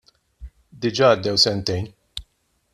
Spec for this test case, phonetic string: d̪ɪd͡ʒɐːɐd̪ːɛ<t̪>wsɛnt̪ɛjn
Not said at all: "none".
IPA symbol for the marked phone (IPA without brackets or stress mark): none